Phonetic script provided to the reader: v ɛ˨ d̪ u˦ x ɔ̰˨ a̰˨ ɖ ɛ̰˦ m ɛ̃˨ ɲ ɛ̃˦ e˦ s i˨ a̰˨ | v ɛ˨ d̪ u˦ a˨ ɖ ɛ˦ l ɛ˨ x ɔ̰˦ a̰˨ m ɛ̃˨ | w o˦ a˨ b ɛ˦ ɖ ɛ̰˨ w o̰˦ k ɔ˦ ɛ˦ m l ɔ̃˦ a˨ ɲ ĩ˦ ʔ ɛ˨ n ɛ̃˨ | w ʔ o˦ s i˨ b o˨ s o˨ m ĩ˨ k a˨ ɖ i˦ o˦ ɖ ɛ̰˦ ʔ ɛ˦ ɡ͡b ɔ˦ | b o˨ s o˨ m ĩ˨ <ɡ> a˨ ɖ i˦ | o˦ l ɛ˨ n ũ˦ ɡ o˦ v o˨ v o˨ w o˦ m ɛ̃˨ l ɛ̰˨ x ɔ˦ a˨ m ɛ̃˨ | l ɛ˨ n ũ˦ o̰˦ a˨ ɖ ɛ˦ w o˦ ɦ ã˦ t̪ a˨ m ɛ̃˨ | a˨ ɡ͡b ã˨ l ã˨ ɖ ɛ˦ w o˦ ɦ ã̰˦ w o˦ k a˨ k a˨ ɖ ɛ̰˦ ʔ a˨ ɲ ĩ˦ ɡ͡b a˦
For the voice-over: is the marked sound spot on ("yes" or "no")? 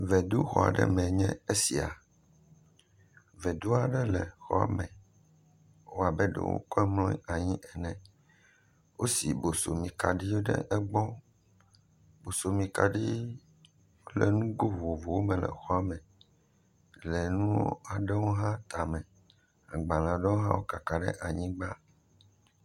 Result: no